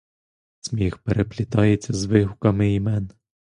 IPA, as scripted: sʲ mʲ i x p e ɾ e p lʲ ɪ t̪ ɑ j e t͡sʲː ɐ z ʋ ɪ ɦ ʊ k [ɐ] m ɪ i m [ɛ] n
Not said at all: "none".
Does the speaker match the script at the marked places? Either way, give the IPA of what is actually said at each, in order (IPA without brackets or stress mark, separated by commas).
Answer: ɐ, ɛ